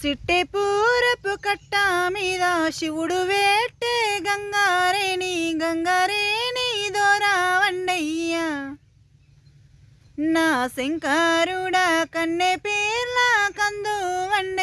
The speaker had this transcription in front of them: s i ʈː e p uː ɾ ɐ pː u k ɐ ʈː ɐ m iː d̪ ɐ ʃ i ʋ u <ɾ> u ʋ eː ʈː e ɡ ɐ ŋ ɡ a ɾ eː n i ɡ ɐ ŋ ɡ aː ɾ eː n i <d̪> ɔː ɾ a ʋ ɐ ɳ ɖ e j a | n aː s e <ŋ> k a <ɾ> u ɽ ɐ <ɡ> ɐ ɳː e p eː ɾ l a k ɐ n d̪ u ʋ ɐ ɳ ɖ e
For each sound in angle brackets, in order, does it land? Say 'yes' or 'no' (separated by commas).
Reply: no, yes, yes, yes, no